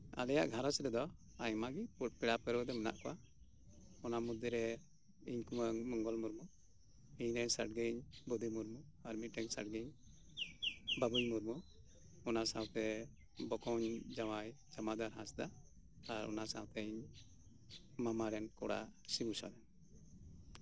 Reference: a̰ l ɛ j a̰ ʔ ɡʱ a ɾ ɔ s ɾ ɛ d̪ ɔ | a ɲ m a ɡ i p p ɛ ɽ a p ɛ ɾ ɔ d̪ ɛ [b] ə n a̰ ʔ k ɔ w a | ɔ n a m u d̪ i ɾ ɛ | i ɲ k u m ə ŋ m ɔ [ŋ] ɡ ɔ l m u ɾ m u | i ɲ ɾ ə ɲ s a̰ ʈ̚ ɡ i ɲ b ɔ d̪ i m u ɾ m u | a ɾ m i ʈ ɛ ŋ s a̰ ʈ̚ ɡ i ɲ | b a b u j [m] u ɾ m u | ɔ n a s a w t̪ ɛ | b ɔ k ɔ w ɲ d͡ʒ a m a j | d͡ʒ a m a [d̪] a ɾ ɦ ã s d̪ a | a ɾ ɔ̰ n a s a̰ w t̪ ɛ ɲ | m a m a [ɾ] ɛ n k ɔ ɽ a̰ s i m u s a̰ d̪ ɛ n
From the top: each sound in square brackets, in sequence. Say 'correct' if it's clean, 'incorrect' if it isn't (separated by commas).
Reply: incorrect, correct, correct, correct, correct